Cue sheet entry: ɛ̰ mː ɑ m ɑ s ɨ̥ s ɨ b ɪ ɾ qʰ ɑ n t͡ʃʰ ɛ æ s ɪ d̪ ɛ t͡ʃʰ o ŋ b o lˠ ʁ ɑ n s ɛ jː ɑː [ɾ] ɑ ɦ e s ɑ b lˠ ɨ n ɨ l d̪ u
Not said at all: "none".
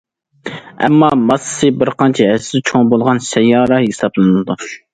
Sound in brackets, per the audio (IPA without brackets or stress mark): ɾ